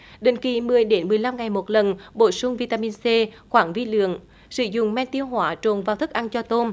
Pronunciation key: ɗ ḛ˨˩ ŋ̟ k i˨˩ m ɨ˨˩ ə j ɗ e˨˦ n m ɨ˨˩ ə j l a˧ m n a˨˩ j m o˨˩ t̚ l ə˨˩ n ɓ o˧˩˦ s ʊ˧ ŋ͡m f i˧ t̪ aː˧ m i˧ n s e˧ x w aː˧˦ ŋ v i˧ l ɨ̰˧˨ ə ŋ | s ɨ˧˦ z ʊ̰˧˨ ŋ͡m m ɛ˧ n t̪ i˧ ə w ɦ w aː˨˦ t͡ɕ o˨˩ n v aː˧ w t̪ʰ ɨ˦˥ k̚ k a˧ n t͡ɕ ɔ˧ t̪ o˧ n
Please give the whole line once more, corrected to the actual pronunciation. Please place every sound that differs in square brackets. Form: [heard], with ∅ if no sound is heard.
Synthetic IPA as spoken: ɗ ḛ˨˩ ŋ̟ k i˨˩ m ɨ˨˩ ə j ɗ e˨˦ n m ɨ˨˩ ə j l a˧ m [ŋ] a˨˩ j m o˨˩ t̚ l ə˨˩ n ɓ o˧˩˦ s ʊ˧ ŋ͡m [v] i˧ t̪ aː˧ m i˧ n s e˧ x w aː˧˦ ŋ v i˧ l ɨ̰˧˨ ə ŋ | s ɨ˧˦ z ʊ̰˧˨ ŋ͡m m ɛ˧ n t̪ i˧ ə w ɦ w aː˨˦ t͡ɕ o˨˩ n v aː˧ w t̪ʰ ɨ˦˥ k̚ [ʔ] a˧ n t͡ɕ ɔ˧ t̪ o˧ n